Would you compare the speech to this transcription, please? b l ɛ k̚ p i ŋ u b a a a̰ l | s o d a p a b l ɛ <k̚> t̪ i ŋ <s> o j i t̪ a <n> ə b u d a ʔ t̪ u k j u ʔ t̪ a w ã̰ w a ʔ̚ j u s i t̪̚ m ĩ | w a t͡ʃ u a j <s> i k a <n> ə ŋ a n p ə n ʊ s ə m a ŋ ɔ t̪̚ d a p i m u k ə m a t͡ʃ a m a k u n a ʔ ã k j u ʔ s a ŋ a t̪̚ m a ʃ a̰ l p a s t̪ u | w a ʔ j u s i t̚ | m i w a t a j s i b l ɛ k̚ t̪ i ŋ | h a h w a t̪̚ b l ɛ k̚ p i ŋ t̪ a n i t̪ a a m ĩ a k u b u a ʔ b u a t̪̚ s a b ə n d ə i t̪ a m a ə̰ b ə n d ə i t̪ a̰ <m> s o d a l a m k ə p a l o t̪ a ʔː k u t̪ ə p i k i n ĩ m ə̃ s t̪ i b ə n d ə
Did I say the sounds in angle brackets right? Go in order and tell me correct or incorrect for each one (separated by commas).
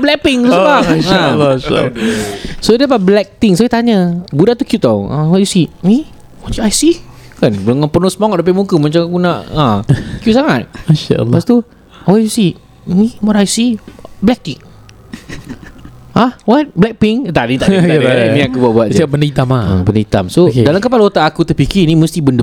correct, correct, incorrect, correct, correct, correct